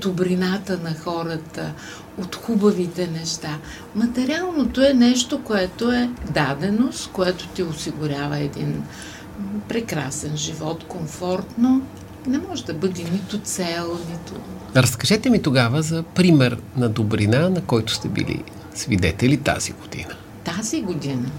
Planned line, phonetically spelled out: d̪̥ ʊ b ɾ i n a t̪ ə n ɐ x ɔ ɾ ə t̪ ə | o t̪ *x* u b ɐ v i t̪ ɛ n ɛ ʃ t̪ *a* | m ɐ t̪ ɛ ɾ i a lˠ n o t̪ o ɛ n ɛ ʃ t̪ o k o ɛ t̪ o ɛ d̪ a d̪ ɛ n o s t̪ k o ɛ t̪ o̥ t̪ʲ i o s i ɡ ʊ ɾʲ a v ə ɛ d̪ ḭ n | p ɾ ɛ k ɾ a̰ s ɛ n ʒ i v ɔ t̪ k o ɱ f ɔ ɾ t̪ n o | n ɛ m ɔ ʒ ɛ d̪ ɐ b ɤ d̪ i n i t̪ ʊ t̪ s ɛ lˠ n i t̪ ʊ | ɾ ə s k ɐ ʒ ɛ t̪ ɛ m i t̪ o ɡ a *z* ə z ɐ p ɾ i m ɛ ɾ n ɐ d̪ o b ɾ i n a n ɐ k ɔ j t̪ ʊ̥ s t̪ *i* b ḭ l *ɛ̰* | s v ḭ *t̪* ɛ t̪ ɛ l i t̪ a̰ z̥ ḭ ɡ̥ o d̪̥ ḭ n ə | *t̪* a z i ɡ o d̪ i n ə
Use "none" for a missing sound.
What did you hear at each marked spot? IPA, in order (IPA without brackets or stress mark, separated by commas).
x, a, v, ɛ, ḭ, d̪, t̪